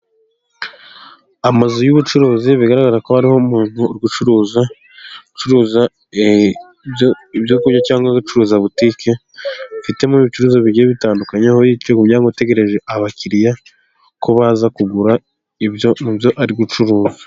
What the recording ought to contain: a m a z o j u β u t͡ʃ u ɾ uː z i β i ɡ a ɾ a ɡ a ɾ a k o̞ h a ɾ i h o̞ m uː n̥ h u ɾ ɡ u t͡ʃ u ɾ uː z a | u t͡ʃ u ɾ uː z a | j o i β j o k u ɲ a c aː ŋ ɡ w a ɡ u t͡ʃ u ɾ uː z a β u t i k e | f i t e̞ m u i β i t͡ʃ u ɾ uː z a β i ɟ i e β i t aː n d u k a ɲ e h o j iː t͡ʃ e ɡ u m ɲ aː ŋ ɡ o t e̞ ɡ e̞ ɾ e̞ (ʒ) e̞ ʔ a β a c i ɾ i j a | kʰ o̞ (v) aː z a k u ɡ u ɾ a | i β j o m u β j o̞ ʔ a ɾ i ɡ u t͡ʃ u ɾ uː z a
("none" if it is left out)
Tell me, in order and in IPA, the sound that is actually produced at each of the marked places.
ʒ, β

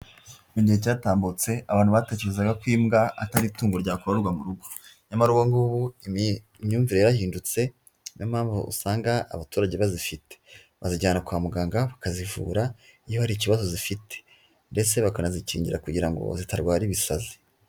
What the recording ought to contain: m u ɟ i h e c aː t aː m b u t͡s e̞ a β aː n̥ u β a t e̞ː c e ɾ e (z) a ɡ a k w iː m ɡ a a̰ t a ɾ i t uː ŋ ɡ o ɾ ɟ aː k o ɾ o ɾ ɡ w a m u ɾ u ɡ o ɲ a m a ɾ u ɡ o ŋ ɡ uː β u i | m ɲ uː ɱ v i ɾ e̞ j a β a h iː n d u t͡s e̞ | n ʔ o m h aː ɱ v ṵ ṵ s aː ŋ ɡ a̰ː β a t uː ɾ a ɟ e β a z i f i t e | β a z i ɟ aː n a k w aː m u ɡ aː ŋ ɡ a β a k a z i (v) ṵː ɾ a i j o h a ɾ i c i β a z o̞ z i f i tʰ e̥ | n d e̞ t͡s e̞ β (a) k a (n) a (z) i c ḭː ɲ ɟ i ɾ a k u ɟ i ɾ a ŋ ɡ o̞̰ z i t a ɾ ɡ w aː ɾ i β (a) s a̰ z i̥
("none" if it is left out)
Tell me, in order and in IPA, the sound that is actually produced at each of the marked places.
z, v, a, n, z, i

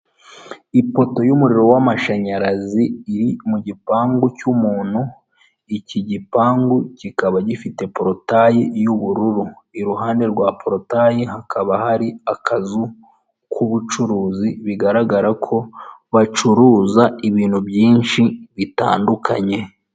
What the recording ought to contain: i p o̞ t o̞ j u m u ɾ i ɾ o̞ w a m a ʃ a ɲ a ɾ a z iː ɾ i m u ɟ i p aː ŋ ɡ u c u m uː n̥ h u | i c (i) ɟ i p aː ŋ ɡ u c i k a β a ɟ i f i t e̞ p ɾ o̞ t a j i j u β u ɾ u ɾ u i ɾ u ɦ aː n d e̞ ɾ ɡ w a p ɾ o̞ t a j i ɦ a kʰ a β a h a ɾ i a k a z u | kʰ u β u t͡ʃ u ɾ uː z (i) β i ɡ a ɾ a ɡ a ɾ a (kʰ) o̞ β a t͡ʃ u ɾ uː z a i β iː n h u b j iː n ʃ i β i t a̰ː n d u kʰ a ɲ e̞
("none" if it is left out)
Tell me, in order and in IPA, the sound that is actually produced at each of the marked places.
i, i, kʰ

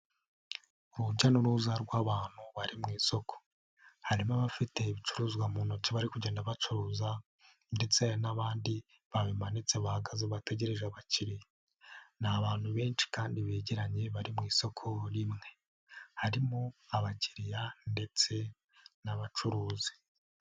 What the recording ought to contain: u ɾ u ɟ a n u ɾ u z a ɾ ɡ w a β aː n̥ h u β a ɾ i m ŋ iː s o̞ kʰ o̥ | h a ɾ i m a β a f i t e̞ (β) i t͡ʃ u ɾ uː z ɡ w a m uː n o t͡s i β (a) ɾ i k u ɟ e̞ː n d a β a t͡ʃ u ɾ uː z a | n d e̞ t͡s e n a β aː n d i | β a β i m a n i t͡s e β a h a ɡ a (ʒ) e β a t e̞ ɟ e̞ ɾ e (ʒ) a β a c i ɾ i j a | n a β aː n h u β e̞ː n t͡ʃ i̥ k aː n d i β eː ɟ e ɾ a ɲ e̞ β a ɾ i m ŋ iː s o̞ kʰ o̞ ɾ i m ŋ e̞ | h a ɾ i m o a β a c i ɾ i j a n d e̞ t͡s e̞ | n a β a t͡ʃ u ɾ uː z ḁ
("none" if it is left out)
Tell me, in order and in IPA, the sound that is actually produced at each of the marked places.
β, a, z, ʒ

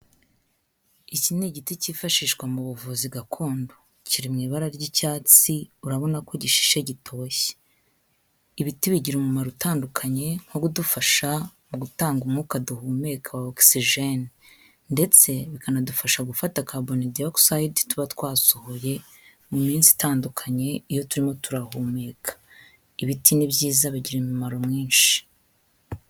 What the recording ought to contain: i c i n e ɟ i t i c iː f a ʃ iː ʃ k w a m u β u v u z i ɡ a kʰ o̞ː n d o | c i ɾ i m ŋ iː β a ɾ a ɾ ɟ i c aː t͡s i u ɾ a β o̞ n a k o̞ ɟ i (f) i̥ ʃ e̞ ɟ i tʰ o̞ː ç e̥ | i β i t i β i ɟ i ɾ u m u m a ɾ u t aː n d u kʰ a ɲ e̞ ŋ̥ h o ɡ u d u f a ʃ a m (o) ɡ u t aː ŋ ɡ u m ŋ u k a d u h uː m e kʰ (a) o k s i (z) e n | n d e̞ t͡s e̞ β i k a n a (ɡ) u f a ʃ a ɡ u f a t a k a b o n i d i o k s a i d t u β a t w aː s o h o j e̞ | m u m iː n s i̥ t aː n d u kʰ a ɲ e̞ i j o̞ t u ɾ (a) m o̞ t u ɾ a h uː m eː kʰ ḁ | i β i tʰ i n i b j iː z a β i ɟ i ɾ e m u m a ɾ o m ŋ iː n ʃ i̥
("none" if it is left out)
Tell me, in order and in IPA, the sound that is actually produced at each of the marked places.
ʃ, u, a, ʒ, d, i

